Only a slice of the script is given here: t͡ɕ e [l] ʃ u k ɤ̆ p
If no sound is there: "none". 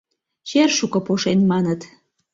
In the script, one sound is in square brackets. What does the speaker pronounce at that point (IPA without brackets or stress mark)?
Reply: r